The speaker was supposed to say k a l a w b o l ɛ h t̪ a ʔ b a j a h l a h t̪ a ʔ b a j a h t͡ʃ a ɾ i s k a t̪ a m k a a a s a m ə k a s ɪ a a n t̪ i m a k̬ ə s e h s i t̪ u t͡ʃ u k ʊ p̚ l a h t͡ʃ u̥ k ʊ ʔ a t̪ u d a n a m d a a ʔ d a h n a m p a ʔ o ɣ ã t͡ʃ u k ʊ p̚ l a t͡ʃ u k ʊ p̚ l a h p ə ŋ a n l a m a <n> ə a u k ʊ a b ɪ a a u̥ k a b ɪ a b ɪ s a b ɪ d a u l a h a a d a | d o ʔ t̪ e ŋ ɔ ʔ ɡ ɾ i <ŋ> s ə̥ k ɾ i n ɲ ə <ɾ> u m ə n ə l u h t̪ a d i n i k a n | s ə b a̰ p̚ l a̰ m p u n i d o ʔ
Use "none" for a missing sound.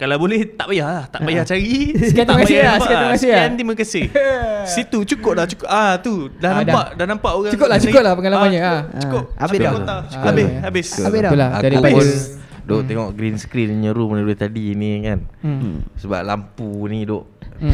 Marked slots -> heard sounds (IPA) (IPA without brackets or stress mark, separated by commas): ɲ, n, ɾ